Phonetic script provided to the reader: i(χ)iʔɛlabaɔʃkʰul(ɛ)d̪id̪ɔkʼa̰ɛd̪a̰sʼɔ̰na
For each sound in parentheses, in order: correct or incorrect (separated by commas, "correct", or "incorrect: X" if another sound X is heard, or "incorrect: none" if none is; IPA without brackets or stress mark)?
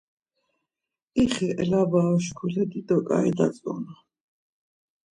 correct, correct